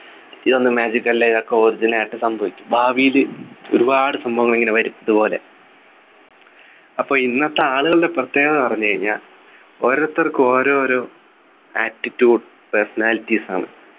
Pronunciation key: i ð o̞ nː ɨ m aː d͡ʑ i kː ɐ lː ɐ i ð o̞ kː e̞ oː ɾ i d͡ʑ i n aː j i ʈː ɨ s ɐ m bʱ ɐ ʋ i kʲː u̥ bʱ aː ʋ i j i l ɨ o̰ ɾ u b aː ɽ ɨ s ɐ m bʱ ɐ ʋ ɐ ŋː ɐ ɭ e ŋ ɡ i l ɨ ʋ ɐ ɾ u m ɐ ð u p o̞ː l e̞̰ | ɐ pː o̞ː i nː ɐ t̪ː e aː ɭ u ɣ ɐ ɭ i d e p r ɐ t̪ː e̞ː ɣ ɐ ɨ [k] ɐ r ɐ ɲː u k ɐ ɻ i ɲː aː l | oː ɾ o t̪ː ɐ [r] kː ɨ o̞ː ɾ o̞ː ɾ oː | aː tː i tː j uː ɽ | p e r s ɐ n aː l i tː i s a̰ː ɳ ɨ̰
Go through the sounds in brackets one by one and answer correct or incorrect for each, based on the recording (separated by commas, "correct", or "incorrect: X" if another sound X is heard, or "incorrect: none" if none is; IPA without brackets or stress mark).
incorrect: p, correct